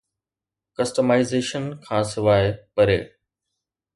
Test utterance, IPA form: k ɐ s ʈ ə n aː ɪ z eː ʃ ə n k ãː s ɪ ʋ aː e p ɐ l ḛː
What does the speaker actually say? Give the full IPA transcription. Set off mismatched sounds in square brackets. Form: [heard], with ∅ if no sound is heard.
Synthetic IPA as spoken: k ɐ s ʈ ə [m] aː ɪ z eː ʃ ə n [kʰ] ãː s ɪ ʋ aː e p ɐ [ɾ] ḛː